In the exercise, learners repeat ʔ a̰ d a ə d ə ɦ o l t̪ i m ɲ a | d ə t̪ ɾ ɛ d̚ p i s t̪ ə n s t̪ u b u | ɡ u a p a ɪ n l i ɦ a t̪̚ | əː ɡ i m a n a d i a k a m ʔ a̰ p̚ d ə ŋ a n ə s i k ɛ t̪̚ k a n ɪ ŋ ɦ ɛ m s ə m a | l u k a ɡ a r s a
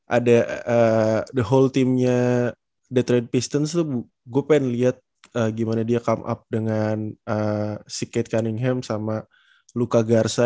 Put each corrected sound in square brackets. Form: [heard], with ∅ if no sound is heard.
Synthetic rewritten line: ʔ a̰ d a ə d ə ɦ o l t̪ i m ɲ a | d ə t̪ ɾ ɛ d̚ p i s t̪ ə n s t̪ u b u | ɡ u a p a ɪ n l i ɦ a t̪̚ | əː ɡ i m a n a d i a k a m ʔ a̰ p̚ d ə ŋ a n ə s i k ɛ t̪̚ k a n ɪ ŋ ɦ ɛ m s [a] m a | l u k a ɡ a r s a